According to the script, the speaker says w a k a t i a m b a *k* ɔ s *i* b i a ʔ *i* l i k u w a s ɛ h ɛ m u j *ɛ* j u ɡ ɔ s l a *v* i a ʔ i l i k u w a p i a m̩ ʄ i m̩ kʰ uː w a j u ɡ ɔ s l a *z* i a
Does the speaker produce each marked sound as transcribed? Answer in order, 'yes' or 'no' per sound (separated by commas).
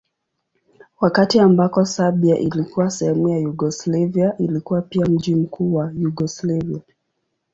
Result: yes, no, yes, no, yes, no